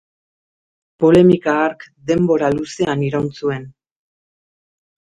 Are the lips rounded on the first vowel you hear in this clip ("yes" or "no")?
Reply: yes